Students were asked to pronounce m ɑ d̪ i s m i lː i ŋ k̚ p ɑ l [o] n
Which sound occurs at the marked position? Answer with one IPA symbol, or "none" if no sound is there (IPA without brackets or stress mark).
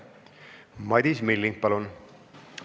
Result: u